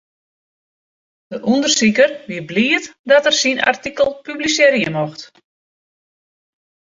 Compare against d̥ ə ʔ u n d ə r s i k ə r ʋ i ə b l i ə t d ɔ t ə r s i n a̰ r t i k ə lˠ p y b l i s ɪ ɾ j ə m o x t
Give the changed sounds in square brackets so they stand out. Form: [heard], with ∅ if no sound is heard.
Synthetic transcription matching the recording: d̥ ə ʔ u n d ə r s i k ə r ʋ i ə b l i ə t d ɔ t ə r s i n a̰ r t i k ə lˠ p y b l i s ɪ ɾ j ə m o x t